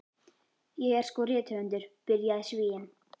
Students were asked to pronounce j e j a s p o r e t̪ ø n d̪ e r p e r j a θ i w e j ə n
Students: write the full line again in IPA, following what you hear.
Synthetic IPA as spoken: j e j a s k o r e t̪ʰ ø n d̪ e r p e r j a ɕ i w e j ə n